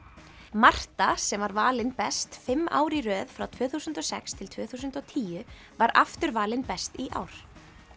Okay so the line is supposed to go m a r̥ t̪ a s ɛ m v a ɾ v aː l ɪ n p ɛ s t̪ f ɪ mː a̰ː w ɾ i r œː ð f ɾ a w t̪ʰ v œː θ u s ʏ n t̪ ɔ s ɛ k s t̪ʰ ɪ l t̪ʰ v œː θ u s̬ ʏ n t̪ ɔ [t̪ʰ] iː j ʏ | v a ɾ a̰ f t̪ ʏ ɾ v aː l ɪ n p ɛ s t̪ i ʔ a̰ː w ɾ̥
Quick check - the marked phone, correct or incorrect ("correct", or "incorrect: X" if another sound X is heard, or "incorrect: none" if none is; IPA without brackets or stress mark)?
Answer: correct